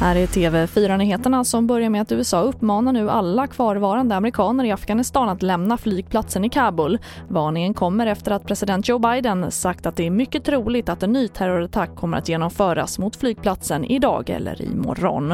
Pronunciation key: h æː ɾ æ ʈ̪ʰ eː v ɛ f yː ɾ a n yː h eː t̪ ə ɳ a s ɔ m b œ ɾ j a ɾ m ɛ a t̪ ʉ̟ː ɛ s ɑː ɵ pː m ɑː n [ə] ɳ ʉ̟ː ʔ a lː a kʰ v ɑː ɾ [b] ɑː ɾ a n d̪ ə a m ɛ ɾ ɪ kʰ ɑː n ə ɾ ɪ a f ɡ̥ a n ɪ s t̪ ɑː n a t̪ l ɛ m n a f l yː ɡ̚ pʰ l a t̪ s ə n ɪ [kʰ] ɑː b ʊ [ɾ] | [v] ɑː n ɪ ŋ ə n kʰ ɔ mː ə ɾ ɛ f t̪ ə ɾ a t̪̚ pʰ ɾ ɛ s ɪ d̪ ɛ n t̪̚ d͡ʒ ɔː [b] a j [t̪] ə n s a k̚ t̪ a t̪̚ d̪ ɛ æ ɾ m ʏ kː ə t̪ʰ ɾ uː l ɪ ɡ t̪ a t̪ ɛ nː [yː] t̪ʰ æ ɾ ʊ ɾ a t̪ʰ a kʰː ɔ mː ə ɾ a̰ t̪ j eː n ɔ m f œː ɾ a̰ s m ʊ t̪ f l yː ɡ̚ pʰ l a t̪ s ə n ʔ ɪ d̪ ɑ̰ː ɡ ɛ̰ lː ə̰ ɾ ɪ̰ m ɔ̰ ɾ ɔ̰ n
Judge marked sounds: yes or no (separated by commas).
no, no, yes, no, yes, yes, no, yes